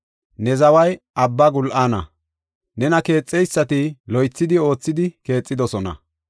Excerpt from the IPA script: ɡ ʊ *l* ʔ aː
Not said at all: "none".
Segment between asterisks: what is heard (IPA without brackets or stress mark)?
l